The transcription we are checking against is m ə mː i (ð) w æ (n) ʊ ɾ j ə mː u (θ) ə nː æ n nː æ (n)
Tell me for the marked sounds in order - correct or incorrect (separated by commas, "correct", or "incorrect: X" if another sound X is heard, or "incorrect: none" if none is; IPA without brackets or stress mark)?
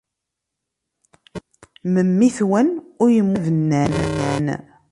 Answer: incorrect: θ, correct, incorrect: ð, correct